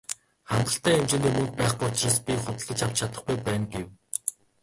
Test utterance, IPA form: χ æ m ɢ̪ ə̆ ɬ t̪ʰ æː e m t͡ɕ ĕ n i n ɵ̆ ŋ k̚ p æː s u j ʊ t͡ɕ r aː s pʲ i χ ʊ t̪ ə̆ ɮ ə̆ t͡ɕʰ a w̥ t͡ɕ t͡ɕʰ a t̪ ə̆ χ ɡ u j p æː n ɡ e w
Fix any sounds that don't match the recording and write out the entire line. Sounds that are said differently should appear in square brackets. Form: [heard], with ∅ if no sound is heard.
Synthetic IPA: χ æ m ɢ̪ ə̆ ɬ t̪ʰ æː e m t͡ɕ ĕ n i [m] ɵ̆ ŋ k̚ p æː [χ] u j ʊ t͡ɕ r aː s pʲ i χ ʊ t̪ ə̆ ɮ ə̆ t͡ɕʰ a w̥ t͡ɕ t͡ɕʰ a t̪ ə̆ χ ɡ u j p æː n ɡ e w